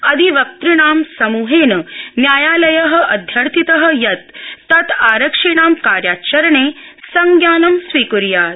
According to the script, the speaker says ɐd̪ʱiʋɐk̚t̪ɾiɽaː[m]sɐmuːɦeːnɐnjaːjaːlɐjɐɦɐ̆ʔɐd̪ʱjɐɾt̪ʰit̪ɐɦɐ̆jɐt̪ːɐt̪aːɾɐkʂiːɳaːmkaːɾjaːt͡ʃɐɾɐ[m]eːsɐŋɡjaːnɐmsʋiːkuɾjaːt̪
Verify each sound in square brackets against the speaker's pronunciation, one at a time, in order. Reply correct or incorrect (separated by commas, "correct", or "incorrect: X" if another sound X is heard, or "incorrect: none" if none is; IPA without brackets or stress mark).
correct, incorrect: ɳ